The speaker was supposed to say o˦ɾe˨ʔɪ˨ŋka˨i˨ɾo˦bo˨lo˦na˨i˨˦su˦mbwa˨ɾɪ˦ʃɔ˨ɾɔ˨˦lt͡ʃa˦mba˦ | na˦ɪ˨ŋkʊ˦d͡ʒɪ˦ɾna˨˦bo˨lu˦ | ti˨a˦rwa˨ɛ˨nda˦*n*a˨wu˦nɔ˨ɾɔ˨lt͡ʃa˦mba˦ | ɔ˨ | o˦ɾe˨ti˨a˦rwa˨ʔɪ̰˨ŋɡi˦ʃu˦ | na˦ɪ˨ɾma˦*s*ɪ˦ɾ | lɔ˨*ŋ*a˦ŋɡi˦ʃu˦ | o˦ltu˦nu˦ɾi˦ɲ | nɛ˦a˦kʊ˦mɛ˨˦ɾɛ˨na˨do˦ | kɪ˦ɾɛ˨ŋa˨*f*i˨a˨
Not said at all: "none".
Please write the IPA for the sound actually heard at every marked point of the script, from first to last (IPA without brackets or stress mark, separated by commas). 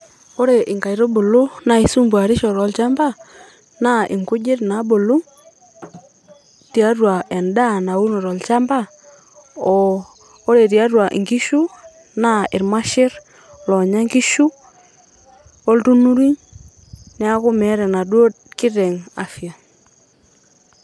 n, ʃ, ɲ, f